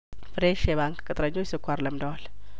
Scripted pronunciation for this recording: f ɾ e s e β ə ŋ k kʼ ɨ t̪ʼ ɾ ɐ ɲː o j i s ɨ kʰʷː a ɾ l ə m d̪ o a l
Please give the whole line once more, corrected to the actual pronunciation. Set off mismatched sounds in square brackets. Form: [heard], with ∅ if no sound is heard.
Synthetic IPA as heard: f ɾ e [ʃ] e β [a] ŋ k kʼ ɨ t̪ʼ ɾ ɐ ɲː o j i s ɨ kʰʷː a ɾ l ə m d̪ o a l